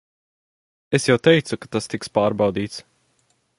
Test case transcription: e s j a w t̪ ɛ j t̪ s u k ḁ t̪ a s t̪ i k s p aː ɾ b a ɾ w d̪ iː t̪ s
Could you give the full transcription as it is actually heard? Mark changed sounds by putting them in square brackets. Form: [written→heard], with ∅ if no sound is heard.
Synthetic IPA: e s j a w t̪ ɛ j t̪ s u k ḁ t̪ a s t̪ i k s p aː ɾ b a [ɾ→∅] w d̪ iː t̪ s

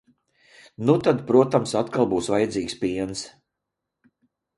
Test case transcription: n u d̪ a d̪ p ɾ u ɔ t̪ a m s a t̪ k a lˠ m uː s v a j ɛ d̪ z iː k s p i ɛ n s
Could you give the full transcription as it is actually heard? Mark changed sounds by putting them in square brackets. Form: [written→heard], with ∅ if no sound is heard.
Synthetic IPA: n u [d̪→t̪] a d̪ p ɾ u ɔ t̪ a m s a t̪ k a lˠ [m→b] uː s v a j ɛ d̪ z iː k s p i ɛ n s

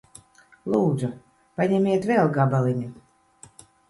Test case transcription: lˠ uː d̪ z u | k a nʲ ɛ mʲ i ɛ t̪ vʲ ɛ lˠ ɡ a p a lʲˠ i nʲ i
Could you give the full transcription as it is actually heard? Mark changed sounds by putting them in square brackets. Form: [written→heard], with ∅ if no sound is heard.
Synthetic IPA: lˠ uː d̪ z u | [k→p] a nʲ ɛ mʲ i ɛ t̪ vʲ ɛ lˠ ɡ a [p→b] a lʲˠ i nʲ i

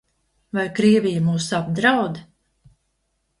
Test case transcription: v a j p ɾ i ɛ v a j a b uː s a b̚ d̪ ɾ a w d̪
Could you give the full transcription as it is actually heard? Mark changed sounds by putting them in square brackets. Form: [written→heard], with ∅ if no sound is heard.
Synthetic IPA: v a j [p→k] ɾ i ɛ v [a→i] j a [b→m] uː s a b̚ d̪ ɾ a w d̪

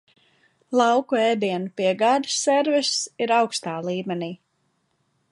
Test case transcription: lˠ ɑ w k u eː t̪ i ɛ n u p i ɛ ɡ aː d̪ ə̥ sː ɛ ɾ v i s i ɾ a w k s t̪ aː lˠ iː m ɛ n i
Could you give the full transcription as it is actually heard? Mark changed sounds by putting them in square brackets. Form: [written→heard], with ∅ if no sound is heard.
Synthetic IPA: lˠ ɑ w k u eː [t̪→d̪] i ɛ n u p i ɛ ɡ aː d̪ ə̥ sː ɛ ɾ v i s i ɾ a w k s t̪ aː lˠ iː m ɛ n [i→iː]

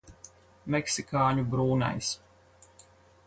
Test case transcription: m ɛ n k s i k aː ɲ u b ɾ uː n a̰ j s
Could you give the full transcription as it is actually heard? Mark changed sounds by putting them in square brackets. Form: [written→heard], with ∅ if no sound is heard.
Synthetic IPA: m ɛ [n→∅] k s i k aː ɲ u b ɾ uː n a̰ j s

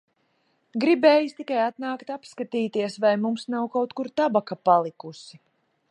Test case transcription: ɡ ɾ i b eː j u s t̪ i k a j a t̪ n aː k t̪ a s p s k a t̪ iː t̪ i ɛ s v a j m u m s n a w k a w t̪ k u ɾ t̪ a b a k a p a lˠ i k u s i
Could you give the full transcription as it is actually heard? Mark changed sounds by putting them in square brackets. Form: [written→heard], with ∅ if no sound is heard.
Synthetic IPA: ɡ ɾ i b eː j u s t̪ i k a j a t̪ n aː k t̪ a [s→∅] p s k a t̪ iː t̪ i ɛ s v a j m u m s n a w k a w t̪ k u ɾ t̪ a b a k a p a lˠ i k u s i

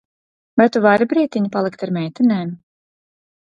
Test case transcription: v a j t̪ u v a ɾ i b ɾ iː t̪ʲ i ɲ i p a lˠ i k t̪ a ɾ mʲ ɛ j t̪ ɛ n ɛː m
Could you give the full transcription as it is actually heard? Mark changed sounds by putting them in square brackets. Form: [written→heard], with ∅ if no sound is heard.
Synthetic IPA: v a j t̪ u v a ɾ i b ɾ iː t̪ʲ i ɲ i p a lˠ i k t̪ a ɾ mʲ ɛ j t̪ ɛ n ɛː m

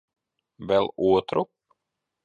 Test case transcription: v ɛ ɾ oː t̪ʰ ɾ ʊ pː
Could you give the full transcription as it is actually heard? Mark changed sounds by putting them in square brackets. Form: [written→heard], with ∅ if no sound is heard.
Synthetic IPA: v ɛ [ɾ→l] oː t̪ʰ ɾ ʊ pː

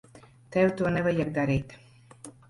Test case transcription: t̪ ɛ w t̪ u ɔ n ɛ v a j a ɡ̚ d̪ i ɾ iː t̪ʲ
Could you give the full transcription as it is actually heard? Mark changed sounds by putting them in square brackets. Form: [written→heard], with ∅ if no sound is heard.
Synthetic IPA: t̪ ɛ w t̪ u ɔ n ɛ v a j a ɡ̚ d̪ [i→a] ɾ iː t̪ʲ

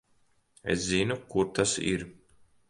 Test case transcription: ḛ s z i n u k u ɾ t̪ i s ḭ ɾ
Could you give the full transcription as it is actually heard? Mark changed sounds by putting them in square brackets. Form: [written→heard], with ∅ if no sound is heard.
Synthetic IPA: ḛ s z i n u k u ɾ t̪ [i→a] s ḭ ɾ

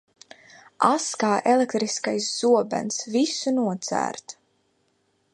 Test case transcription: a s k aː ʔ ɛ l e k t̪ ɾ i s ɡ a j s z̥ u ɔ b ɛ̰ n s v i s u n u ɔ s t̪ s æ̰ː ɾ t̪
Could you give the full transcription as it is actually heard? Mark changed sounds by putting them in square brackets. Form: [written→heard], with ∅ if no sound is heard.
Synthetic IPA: a s k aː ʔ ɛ l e k t̪ ɾ i s [ɡ→k] a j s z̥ u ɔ b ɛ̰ n s v i s u n u ɔ [s→∅] t̪ s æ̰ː ɾ t̪

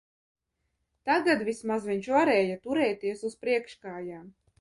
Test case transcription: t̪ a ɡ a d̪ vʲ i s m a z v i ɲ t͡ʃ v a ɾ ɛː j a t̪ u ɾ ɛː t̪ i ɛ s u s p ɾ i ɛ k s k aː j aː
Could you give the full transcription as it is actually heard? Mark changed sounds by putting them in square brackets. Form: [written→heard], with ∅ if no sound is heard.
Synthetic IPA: t̪ a ɡ a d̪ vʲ i s m a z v i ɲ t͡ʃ v a ɾ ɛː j a t̪ u ɾ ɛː t̪ i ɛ s u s p ɾ i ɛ k [s→ʃ] k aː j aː

